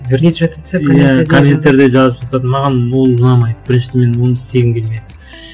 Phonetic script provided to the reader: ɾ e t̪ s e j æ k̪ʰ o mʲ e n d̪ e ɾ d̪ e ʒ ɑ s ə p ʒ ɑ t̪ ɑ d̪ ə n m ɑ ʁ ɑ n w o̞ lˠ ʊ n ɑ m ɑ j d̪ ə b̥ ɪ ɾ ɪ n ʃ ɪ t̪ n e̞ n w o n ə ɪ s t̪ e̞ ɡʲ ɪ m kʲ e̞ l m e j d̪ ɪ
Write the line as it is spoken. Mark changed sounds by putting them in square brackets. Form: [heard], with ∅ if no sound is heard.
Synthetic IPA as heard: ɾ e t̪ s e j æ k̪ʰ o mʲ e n [t̪] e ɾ d̪ e ʒ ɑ [z] ə p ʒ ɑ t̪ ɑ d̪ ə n m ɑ ʁ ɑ n w o̞ lˠ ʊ n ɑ m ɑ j d̪ ə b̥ ɪ ɾ ɪ n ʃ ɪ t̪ [m] e̞ n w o n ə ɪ s t̪ e̞ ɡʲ ɪ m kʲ e̞ l m e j d̪ ɪ